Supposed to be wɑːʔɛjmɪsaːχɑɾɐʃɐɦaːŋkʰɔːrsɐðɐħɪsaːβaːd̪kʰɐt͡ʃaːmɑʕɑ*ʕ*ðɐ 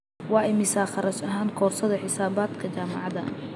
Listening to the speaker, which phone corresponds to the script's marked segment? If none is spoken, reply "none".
none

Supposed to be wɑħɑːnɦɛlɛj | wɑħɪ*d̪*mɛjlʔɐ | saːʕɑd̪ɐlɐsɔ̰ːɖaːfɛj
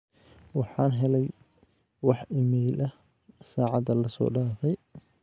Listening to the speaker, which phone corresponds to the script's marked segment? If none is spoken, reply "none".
none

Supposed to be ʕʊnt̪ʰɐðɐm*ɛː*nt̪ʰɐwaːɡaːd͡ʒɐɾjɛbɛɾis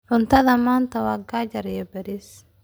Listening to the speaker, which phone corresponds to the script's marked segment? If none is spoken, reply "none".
aː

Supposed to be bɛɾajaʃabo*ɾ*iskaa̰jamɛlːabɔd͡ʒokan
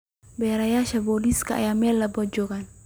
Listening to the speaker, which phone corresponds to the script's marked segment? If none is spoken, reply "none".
l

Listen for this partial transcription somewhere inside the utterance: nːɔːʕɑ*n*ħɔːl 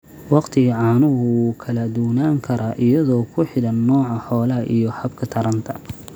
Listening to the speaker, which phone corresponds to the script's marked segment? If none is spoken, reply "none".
none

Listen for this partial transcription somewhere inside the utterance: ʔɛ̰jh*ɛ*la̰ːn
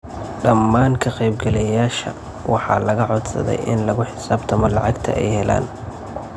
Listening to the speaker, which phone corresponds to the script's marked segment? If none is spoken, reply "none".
ɛ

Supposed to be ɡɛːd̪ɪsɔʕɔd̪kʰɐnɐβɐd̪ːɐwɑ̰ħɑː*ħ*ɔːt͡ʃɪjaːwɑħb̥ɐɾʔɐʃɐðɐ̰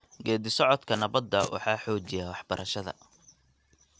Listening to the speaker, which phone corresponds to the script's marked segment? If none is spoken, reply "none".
ħ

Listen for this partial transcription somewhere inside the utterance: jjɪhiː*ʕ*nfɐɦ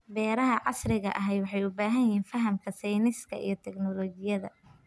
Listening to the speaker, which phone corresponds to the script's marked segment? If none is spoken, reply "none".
none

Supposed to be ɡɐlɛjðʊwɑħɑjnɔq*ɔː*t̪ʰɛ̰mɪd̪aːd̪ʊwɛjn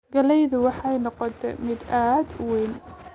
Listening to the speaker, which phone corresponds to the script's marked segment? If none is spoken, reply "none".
ɔ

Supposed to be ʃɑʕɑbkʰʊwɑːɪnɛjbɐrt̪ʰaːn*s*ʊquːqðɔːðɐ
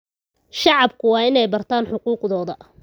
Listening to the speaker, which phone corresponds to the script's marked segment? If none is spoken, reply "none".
ħ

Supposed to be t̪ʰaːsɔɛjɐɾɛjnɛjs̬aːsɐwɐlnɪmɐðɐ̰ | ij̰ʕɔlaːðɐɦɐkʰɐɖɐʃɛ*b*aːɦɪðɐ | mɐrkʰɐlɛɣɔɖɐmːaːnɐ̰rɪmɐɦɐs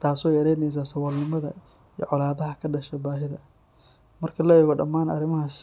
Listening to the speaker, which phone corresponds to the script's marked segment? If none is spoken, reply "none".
b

